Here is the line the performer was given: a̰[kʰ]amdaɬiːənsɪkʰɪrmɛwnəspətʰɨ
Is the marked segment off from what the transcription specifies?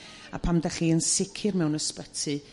yes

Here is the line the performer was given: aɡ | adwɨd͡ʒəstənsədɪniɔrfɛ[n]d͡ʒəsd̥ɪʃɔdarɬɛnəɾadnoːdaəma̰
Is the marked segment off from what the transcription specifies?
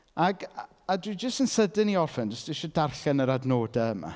no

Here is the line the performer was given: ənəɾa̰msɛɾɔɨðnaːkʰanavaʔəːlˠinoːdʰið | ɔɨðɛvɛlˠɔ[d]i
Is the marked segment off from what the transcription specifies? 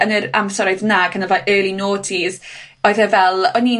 yes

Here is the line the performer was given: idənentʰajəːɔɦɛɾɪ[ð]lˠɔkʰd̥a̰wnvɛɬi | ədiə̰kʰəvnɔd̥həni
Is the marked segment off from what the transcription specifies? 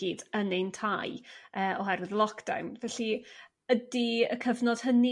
no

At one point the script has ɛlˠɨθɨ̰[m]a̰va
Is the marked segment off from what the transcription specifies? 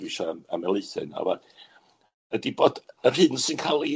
yes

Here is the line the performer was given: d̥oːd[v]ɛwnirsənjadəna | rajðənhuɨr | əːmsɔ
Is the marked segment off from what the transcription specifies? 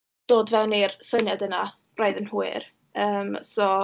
no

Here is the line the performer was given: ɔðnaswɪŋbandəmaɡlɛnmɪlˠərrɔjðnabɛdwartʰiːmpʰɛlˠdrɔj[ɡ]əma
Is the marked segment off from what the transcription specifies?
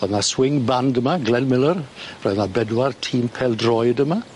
yes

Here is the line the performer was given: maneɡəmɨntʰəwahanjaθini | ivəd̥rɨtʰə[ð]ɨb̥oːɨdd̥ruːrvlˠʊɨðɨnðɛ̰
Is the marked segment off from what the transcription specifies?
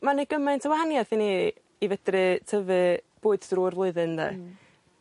yes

